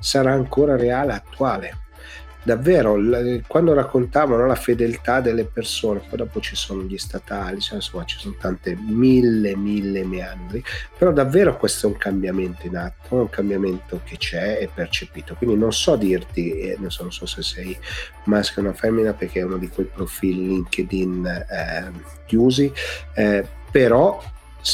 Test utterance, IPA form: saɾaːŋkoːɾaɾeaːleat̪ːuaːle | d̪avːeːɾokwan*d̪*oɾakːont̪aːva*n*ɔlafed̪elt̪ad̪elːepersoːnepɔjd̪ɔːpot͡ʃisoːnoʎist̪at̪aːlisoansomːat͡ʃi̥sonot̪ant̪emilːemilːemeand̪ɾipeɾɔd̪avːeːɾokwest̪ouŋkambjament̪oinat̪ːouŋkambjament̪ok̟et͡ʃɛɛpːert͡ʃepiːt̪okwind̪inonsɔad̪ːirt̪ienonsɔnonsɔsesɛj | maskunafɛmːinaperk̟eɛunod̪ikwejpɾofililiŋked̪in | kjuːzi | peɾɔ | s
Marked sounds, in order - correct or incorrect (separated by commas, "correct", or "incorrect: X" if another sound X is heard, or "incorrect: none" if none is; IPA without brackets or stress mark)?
correct, correct